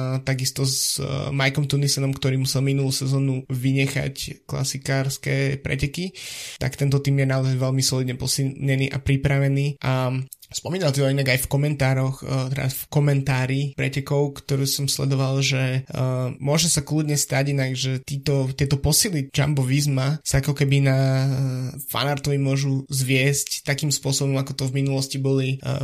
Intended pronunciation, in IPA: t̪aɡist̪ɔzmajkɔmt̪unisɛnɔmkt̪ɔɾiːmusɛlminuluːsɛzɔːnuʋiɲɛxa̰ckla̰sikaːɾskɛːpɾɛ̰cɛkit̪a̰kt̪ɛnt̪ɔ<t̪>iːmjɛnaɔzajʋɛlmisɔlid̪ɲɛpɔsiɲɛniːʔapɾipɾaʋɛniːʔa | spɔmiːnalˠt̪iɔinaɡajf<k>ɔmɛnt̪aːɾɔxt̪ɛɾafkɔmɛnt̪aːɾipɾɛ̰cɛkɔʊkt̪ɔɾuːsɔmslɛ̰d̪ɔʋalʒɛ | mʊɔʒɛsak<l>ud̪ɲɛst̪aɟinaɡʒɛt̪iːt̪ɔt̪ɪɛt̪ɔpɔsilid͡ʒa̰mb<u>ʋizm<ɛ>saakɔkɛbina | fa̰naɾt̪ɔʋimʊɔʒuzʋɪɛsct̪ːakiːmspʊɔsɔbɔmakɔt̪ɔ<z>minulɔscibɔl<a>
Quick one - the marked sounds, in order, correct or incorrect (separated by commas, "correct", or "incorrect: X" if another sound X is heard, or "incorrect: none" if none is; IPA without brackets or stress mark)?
correct, correct, correct, incorrect: ɔ, incorrect: a, incorrect: v, incorrect: i